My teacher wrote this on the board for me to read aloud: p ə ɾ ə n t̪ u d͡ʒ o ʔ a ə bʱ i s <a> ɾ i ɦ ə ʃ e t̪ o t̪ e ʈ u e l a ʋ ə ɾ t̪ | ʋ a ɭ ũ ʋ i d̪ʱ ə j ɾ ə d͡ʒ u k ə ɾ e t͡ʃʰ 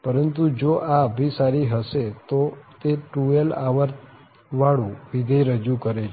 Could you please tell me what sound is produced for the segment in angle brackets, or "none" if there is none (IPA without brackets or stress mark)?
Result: a